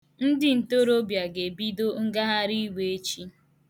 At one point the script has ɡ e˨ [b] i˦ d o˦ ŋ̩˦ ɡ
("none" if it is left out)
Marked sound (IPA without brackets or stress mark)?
b